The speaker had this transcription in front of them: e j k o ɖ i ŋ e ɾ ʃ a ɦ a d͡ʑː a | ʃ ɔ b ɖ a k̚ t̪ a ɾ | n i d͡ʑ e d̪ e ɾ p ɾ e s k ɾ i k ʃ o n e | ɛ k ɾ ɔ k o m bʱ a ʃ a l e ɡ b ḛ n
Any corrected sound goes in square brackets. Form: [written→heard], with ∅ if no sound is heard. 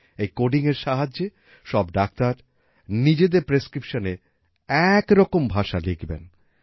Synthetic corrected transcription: e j k o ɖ i ŋ e ɾ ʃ a ɦ a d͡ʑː [a→e] | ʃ ɔ b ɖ a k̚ t̪ a ɾ | n i d͡ʑ e d̪ e ɾ p ɾ e s k ɾ i [k→p] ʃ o n e | ɛ k ɾ ɔ k o m bʱ a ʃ a l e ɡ b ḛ n